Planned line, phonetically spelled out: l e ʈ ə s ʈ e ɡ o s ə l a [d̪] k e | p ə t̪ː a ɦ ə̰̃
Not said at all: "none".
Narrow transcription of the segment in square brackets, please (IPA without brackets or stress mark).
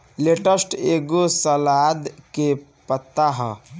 d̪